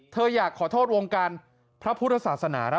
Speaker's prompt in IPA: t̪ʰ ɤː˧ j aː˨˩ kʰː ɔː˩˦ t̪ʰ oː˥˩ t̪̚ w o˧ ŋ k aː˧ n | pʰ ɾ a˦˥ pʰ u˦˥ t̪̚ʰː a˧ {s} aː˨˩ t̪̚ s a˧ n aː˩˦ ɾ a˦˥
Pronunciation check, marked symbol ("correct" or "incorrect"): correct